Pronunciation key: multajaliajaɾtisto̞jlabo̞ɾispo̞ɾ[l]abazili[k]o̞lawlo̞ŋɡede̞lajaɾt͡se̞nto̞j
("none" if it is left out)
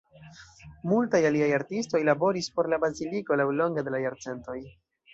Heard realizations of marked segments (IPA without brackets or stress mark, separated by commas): l, k